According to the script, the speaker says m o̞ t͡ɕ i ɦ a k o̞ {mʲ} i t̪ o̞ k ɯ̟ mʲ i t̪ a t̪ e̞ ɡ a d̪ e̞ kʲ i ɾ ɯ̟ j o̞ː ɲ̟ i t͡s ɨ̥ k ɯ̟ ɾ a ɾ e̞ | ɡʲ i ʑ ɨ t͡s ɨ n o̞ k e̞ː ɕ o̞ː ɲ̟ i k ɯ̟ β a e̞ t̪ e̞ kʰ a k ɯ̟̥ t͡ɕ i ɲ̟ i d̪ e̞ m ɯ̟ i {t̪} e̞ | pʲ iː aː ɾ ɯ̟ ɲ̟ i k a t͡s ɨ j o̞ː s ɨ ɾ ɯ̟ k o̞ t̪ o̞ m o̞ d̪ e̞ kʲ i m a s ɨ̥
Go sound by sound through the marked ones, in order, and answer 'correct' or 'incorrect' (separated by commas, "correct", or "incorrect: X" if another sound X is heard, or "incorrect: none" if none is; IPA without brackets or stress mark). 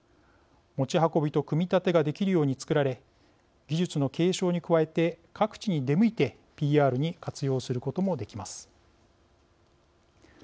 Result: incorrect: bʲ, correct